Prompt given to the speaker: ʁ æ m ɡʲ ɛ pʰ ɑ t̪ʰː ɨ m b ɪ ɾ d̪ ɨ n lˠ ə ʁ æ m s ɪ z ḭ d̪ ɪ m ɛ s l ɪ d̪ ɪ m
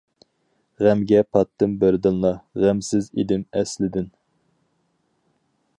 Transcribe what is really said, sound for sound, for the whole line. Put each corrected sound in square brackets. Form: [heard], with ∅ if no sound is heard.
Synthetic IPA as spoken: ʁ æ m ɡʲ ɛ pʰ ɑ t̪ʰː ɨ m b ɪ ɾ d̪ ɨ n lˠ [ɑ] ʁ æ m s ɪ z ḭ d̪ ɪ m ɛ s l ɪ d̪ ɪ [n]